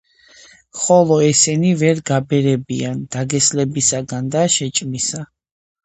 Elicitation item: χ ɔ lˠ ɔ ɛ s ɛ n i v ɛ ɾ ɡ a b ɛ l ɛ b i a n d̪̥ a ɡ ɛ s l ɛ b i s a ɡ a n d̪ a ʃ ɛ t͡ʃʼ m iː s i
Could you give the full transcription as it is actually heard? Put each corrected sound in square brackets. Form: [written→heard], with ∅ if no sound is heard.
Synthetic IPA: χ ɔ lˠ ɔ ɛ s ɛ n i v ɛ ɾ ɡ a b ɛ [l→ɾ] ɛ b i a n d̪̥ a ɡ ɛ s l ɛ b i s a ɡ a n d̪ a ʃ ɛ t͡ʃʼ m [iː→i] s [i→a]